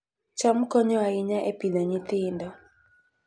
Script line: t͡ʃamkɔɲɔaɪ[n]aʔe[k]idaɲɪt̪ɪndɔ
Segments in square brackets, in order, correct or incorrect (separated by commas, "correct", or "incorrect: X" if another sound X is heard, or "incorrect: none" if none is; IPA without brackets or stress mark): incorrect: ɲ, incorrect: p